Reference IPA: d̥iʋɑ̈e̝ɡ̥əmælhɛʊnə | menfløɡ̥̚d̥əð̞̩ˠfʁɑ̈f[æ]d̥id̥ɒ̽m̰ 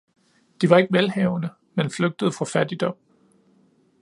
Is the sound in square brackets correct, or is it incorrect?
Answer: correct